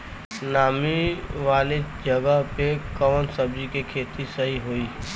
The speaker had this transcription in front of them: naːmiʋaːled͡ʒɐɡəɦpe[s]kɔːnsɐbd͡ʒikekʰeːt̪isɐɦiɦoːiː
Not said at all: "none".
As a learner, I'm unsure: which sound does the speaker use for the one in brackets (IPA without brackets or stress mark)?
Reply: none